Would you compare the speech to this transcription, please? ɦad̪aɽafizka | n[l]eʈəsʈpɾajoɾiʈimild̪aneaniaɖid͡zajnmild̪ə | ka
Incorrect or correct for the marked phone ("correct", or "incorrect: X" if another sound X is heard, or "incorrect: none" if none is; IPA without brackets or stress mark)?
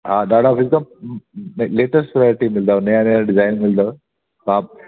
correct